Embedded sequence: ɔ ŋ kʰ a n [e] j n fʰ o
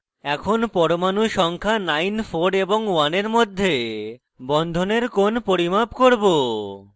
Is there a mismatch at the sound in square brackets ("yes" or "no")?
yes